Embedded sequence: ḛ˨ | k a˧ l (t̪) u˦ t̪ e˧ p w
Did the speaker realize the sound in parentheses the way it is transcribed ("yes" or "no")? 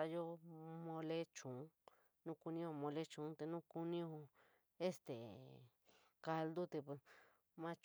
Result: no